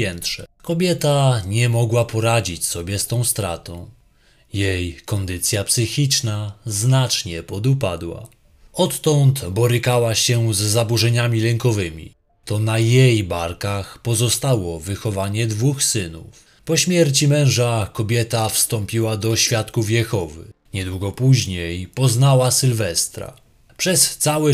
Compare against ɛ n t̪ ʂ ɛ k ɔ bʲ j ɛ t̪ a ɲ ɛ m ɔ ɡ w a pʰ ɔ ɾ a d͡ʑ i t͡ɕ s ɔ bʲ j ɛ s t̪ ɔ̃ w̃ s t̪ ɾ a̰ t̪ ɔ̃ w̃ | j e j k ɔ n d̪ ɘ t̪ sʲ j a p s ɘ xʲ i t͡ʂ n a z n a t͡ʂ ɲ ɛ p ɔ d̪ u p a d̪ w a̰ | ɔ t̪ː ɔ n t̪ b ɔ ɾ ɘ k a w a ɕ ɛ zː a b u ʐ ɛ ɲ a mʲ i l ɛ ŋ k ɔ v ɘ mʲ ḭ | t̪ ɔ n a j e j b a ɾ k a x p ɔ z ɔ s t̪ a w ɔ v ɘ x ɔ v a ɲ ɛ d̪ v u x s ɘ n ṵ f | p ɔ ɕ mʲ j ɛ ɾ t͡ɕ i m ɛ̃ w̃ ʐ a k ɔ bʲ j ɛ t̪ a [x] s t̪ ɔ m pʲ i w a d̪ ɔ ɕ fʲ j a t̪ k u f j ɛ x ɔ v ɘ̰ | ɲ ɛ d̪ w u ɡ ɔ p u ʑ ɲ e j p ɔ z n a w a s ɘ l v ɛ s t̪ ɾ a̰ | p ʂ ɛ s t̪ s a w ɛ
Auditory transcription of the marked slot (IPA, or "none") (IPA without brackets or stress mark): f